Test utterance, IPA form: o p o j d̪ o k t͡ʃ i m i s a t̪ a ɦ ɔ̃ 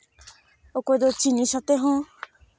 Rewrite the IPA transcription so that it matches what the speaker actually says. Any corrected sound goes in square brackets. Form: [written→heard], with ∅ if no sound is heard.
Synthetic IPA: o [p→k] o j d̪ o [k→∅] t͡ʃ i [m→n] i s a t̪ [a→e] ɦ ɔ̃